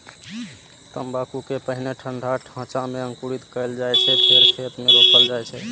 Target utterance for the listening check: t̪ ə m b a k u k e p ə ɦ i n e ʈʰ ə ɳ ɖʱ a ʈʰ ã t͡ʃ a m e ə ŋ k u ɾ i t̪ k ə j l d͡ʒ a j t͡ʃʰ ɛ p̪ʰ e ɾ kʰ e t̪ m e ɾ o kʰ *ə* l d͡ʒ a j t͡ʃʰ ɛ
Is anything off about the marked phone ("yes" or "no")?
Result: no